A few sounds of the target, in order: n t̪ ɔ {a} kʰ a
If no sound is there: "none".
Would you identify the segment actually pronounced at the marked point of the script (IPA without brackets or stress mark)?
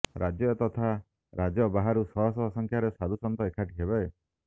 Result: e